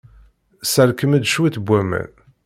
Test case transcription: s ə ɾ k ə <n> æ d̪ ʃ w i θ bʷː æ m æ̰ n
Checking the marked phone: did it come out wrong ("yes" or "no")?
yes